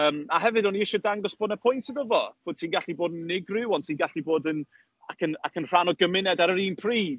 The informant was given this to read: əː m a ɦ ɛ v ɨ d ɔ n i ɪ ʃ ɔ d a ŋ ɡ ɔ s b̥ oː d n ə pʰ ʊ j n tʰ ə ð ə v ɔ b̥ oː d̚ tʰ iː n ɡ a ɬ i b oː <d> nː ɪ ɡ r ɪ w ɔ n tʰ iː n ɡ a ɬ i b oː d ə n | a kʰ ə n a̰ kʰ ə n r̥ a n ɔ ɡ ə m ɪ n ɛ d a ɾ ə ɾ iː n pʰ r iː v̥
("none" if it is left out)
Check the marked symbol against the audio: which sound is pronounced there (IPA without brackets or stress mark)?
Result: d